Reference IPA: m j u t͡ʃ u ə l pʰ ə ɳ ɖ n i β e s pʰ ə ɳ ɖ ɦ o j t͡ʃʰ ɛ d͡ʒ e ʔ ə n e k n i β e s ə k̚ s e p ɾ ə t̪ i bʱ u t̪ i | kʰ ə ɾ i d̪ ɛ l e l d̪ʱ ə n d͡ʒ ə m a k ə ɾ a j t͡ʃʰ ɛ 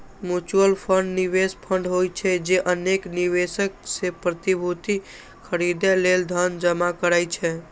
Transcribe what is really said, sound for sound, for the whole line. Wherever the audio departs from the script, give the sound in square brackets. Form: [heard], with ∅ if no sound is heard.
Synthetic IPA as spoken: m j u t͡ʃ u ə l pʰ ə ɳ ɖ n i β e s pʰ ə ɳ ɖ ɦ o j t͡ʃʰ ɛ d͡ʒ e ʔ ə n e k n i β e s ə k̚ s e p ɾ ə t̪ i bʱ u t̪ i | kʰ ə ɾ i d̪ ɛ l e l d̪ʱ ə n d͡ʒ ə m a k ə ɾ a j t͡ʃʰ ɛ